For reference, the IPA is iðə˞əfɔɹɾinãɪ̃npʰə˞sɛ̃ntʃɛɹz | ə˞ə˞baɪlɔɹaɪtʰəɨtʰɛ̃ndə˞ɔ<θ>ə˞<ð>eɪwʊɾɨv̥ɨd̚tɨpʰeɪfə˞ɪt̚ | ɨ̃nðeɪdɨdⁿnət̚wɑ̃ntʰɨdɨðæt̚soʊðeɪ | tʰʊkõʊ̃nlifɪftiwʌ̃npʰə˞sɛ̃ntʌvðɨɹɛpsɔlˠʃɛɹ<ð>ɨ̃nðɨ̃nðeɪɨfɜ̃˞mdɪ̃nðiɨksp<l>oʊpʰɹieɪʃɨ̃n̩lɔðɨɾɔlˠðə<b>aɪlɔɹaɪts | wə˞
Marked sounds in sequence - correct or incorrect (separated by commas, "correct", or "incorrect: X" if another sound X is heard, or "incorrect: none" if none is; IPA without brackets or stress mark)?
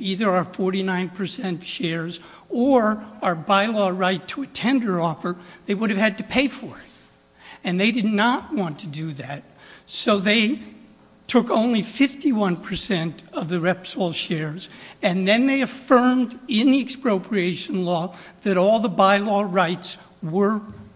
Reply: incorrect: f, correct, incorrect: z, incorrect: ɹ, correct